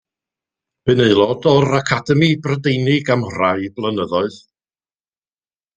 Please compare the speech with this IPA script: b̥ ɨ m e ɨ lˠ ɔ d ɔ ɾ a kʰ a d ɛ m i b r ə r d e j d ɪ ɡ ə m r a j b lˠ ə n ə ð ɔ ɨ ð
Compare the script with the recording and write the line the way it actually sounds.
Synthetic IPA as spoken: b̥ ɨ n e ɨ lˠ ɔ d ɔ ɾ a kʰ a d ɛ m i b r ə d e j n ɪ ɡ a m r a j b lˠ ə n ə ð ɔ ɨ ð